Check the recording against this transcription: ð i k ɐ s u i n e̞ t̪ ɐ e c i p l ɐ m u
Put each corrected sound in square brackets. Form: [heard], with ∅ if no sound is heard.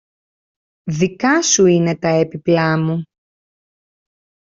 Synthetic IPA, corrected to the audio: ð i k ɐ s u i n e̞ t̪ ɐ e [p] i p l ɐ m u